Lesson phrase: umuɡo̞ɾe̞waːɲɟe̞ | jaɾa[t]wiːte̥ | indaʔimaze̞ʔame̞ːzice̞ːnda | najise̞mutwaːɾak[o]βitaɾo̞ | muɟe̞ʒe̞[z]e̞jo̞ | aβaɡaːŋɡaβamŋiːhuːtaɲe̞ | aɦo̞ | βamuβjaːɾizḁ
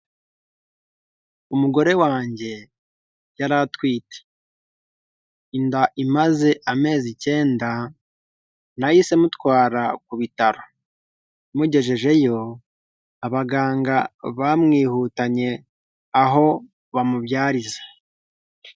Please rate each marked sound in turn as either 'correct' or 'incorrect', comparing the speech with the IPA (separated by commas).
correct, incorrect, incorrect